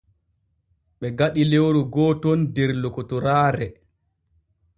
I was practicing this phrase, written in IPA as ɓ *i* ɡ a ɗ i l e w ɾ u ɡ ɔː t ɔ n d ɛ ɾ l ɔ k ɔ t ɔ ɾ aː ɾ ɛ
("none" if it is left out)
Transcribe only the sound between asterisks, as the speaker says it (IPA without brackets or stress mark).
ɛ